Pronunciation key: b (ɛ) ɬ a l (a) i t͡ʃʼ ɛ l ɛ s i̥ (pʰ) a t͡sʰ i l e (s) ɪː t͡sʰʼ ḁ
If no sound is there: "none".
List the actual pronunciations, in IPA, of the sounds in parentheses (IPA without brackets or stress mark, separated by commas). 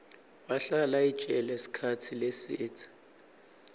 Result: a, a, kʰ, s